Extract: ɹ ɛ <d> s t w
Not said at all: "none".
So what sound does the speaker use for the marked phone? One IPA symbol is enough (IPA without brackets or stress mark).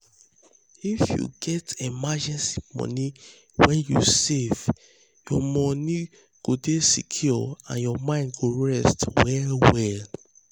none